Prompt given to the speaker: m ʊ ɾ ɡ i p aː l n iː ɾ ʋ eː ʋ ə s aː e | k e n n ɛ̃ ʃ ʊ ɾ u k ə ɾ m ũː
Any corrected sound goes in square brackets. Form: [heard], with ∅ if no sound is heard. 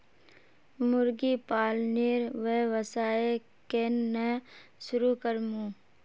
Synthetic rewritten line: m ʊ ɾ ɡ i p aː l n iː ɾ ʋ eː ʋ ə s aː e | k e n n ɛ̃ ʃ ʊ ɾ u k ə ɾ m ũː